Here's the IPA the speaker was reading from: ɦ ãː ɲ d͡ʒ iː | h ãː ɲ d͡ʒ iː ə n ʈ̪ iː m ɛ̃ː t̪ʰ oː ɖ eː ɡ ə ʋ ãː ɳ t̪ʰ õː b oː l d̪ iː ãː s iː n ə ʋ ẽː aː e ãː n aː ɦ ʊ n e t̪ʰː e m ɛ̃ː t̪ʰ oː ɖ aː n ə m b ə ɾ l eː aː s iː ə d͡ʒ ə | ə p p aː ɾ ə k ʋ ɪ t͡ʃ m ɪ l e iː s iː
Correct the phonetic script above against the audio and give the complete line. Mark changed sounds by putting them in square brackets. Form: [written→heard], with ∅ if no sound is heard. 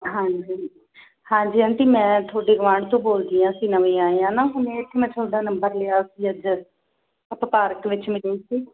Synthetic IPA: ɦ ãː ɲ d͡ʒ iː | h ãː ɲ d͡ʒ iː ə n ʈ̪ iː m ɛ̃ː t̪ʰ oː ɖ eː ɡ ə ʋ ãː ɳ [t̪ʰ→t̪] õː b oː l d̪ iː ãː s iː n ə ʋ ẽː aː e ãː n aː ɦ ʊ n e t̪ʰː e m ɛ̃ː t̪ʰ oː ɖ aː n ə m b ə ɾ l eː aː s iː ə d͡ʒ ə | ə p p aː ɾ ə k ʋ ɪ t͡ʃ m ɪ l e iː s iː